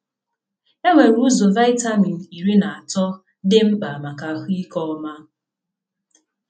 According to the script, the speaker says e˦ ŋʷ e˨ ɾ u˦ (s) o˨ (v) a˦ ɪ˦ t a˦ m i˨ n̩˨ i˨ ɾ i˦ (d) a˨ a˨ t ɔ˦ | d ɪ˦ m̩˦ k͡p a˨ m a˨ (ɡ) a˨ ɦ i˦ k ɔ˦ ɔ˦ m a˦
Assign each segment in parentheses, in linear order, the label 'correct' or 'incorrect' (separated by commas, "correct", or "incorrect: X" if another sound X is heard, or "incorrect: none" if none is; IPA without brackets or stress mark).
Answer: incorrect: z, correct, incorrect: n, incorrect: k